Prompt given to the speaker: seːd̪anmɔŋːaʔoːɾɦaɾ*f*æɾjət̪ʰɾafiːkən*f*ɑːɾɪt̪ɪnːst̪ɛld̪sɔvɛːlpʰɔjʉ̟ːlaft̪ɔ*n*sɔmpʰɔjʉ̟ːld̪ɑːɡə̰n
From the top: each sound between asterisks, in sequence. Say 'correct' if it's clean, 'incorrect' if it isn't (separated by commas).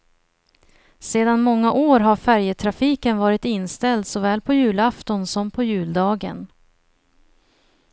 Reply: correct, incorrect, correct